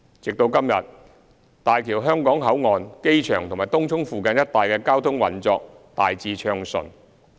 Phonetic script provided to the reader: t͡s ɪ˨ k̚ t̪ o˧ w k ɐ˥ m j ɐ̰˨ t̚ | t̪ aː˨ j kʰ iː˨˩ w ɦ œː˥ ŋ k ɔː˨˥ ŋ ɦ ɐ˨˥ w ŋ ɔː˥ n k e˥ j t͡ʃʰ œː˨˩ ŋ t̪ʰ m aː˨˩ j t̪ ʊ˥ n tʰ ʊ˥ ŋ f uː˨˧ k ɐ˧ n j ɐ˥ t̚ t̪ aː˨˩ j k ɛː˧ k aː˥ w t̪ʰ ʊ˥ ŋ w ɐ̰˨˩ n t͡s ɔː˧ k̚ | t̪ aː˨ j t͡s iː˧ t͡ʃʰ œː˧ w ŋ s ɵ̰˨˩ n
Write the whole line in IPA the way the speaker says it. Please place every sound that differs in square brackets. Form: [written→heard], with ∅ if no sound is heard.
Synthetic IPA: t͡s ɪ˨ k̚ t̪ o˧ w k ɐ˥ m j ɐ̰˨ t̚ | t̪ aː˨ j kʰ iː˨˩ w ɦ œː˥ ŋ k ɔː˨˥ ŋ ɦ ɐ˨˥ w ŋ [ɔː˥→ɔː˨˧] n k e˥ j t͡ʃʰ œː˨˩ ŋ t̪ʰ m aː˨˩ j t̪ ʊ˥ [n→ŋ] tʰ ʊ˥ ŋ f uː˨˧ k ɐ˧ n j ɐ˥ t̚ t̪ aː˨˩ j k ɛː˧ k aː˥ w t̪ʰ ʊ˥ ŋ w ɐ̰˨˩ n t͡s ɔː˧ k̚ | t̪ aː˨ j t͡s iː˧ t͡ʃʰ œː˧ [w→∅] ŋ s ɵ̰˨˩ n

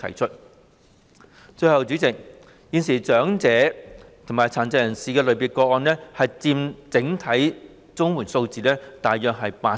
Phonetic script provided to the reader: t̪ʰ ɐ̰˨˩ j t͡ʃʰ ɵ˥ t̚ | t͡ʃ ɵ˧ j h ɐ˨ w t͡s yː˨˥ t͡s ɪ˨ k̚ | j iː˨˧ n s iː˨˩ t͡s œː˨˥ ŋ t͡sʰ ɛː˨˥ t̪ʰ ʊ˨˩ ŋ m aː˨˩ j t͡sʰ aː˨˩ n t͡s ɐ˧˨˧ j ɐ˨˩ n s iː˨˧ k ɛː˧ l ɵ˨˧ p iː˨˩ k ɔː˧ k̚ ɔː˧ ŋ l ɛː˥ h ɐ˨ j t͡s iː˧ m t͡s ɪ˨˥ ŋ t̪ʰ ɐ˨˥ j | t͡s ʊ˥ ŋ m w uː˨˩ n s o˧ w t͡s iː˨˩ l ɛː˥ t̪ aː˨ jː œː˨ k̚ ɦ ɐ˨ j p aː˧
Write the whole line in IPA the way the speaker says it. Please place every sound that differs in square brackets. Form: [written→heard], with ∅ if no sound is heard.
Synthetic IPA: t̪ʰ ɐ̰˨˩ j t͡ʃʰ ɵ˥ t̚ | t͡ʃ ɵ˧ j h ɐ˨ w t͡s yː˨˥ t͡s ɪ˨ k̚ | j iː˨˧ n s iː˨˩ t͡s œː˨˥ ŋ [t͡sʰ→t͡s] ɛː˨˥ t̪ʰ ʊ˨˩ ŋ m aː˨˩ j t͡sʰ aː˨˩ n t͡s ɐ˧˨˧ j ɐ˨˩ n s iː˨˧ k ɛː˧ l ɵ˨˧ p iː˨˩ k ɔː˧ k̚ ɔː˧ [ŋ→n] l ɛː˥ h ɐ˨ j t͡s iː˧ m t͡s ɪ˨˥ ŋ t̪ʰ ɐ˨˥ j | t͡s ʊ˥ ŋ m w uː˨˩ n s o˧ w t͡s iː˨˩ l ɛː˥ t̪ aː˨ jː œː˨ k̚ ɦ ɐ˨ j p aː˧

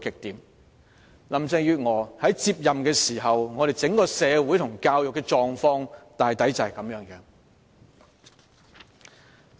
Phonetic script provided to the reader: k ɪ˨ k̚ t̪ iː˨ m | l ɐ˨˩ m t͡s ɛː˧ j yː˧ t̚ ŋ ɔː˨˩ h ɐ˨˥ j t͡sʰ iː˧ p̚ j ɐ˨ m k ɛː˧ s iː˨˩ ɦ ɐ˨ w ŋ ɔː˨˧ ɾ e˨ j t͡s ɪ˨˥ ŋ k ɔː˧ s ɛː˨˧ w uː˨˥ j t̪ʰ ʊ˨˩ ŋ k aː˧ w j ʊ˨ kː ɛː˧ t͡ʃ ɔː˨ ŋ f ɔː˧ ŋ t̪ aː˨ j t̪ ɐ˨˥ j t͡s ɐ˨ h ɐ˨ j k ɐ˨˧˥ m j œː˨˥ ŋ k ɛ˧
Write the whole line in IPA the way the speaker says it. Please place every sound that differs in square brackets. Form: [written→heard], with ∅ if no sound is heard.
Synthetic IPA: k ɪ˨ k̚ t̪ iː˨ m | l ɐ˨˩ m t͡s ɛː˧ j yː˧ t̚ ŋ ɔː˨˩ h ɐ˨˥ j [t͡sʰ→t͡s] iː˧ p̚ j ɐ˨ m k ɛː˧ s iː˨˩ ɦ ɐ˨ w ŋ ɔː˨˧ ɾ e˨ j t͡s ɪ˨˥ ŋ k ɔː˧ s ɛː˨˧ w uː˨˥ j t̪ʰ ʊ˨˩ ŋ k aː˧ w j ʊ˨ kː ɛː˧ t͡ʃ ɔː˨ ŋ f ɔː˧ ŋ t̪ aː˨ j t̪ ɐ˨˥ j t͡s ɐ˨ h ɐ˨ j k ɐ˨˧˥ m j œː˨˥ ŋ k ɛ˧

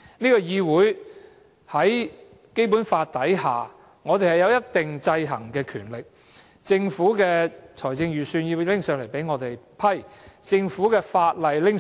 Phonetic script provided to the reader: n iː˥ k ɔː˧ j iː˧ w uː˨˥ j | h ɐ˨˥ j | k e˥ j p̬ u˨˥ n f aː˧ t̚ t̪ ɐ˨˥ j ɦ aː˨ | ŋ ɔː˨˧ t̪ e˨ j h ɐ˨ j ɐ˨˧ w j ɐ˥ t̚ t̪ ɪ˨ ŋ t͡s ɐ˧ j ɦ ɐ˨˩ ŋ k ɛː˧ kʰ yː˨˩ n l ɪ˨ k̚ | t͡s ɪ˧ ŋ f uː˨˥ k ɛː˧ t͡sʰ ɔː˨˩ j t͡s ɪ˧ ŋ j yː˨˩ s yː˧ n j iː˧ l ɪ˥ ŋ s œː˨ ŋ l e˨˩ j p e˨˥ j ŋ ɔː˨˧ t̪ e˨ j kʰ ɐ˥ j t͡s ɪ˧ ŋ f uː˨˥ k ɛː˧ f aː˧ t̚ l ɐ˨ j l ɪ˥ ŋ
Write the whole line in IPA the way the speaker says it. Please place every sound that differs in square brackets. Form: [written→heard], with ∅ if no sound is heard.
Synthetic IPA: n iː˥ k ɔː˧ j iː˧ w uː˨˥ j | h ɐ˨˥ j | k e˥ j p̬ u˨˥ n f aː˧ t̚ t̪ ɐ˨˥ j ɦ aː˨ | ŋ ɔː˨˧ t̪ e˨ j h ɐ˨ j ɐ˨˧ w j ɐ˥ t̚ t̪ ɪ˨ ŋ t͡s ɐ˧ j ɦ ɐ˨˩ ŋ k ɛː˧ kʰ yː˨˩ n l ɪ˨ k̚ | t͡s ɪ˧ ŋ f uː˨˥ k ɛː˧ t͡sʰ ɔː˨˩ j t͡s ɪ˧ ŋ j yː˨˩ s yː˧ n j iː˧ l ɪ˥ ŋ s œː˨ ŋ l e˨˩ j p e˨˥ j ŋ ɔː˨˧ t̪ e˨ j [kʰ→pʰ] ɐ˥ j t͡s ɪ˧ ŋ f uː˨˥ k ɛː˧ f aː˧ t̚ l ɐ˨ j l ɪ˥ ŋ

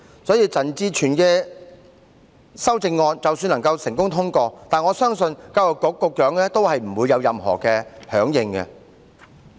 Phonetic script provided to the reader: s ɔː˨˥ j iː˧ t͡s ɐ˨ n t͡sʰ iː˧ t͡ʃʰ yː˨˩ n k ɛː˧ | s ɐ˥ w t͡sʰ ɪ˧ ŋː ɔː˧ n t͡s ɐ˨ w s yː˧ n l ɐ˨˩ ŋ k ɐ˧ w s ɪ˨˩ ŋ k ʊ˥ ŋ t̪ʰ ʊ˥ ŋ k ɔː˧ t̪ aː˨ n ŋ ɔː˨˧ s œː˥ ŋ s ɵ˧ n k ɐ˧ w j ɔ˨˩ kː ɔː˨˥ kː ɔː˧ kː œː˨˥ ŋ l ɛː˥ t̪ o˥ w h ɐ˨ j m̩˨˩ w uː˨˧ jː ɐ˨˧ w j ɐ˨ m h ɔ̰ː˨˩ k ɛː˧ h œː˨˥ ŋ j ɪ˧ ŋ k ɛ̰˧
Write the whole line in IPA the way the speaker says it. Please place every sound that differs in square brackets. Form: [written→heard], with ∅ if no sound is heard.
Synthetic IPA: s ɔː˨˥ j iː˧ t͡s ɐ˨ n [t͡sʰ→t͡s] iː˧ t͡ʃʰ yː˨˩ n k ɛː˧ | s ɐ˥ w [t͡sʰ→t͡s] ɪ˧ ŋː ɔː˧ n t͡s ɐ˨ w s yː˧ n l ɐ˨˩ ŋ k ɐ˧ w s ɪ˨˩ ŋ k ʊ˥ ŋ t̪ʰ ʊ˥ ŋ k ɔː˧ t̪ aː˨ n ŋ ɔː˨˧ s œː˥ ŋ s ɵ˧ n k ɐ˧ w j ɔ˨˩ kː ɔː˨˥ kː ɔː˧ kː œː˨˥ ŋ l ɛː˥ t̪ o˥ w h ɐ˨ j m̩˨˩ w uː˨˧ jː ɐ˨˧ w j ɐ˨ m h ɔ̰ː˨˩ k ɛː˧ h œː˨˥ ŋ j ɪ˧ ŋ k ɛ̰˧

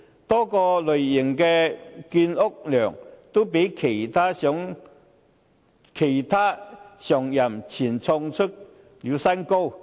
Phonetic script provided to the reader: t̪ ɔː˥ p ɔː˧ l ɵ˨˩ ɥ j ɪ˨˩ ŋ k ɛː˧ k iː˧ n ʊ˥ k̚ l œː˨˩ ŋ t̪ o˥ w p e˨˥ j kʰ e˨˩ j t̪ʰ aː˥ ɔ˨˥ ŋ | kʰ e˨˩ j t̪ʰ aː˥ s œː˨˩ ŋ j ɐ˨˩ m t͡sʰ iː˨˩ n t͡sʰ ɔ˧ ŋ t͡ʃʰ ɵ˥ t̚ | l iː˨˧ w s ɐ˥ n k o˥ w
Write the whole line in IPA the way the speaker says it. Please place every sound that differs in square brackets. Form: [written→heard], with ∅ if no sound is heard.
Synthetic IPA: t̪ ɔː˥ [p→k] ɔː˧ l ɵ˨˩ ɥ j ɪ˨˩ ŋ k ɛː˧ k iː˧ n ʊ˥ k̚ l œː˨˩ ŋ t̪ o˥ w p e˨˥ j kʰ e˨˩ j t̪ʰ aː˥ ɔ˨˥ ŋ | kʰ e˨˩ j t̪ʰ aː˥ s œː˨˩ ŋ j ɐ˨˩ m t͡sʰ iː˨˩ n t͡sʰ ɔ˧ ŋ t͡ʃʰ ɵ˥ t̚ | l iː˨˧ w s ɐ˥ n k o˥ w

